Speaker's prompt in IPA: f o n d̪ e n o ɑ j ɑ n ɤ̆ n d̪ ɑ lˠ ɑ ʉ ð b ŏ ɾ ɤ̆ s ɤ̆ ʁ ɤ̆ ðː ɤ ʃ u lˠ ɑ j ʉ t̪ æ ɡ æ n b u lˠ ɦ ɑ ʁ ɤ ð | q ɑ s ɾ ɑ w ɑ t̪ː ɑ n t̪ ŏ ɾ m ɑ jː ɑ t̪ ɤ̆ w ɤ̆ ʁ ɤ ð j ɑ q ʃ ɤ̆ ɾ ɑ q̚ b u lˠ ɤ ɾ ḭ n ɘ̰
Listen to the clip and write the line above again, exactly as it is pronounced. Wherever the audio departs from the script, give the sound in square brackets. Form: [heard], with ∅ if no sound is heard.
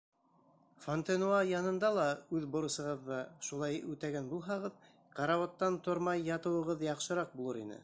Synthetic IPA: f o n [t̪] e n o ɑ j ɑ n ɤ̆ n d̪ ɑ lˠ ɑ ʉ ð b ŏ ɾ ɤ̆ s ɤ̆ ʁ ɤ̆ ðː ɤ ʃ u lˠ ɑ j ʉ t̪ æ ɡ æ n b u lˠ ɦ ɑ ʁ ɤ ð | q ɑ [∅] ɾ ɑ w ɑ t̪ː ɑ n t̪ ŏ ɾ m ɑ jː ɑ t̪ ɤ̆ w ɤ̆ ʁ ɤ ð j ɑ q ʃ ɤ̆ ɾ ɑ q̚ b u lˠ ɤ ɾ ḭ n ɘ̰